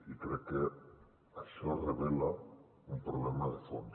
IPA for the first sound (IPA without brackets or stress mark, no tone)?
i